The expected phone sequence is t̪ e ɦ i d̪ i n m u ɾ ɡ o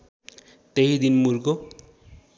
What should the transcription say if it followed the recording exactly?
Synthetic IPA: t̪ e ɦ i d̪ i n m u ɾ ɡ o